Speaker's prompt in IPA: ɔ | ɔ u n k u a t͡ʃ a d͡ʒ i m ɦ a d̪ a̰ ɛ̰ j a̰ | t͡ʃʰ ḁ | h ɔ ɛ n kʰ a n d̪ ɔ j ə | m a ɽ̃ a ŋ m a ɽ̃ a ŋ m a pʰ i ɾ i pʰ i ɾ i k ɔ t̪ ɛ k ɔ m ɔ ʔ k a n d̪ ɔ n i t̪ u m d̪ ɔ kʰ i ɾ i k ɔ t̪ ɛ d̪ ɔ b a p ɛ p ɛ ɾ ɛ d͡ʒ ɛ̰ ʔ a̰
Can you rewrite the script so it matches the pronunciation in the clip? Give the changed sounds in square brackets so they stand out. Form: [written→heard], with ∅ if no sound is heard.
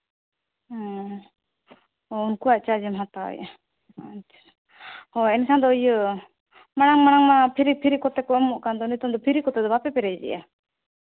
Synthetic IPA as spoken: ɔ | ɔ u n k u a t͡ʃ a d͡ʒ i m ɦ a [d̪→t̪] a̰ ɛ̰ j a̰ | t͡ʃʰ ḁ | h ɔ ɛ n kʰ a n d̪ ɔ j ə | m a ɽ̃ a ŋ m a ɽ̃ a ŋ m a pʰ i ɾ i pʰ i ɾ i k ɔ t̪ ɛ k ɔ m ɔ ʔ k a n d̪ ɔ n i t̪ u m d̪ ɔ [kʰ→pʰ] i ɾ i k ɔ t̪ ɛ d̪ ɔ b a p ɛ p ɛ ɾ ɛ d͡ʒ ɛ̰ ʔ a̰